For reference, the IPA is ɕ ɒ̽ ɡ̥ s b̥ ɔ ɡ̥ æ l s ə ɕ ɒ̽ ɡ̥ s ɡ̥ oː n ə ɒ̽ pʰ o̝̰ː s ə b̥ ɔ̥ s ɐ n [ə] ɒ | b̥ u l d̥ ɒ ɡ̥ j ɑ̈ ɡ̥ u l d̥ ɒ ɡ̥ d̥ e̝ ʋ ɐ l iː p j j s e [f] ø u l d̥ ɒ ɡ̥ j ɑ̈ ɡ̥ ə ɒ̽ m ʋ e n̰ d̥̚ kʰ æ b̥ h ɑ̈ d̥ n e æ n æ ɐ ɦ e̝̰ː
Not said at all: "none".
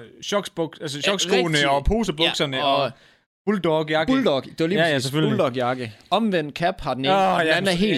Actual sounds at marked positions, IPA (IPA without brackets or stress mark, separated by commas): ə, f